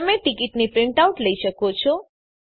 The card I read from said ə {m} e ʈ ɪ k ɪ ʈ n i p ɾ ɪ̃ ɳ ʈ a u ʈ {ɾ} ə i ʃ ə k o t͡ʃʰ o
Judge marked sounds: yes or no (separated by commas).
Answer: yes, no